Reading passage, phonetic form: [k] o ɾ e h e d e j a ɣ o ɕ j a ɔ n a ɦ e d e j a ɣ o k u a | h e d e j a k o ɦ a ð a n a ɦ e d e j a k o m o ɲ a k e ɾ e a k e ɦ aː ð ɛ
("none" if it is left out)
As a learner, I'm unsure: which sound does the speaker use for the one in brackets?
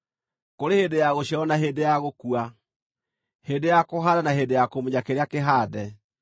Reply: k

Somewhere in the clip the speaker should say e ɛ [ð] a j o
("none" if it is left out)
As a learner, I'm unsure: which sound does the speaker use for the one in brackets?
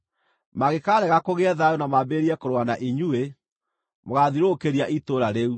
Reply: ð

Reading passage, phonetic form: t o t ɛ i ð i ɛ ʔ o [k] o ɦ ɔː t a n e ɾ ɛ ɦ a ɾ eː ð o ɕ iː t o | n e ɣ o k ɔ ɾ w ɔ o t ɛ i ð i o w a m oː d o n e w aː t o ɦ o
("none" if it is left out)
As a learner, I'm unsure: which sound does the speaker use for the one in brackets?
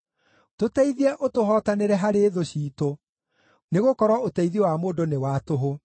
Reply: t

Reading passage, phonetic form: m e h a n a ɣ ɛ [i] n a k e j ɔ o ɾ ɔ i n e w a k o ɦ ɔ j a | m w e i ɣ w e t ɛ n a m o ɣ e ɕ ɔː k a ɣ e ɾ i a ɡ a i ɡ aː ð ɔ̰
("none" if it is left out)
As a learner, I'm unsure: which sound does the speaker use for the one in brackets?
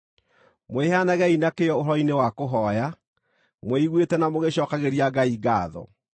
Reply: i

